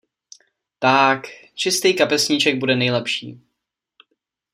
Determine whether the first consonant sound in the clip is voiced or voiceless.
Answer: voiceless